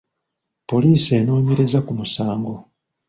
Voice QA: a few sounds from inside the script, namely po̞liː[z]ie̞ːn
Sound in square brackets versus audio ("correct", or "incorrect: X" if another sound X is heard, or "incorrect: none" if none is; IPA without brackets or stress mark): incorrect: s